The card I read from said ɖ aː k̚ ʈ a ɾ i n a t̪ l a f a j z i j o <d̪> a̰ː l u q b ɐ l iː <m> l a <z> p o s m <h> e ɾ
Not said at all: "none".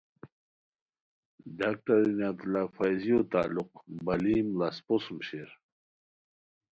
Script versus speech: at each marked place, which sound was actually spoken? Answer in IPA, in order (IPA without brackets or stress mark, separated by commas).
t̪, m, s, ɕ